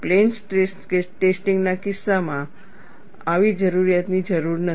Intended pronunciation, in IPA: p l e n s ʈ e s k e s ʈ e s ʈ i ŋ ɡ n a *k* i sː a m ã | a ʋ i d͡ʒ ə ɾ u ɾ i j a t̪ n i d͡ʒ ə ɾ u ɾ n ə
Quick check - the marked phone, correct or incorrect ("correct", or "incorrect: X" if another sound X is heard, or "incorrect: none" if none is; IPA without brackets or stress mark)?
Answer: correct